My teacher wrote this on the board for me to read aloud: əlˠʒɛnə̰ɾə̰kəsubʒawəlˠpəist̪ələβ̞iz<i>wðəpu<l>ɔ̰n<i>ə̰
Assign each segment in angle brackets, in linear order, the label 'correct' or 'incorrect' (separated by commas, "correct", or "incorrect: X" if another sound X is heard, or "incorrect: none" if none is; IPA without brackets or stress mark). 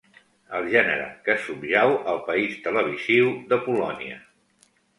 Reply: correct, correct, correct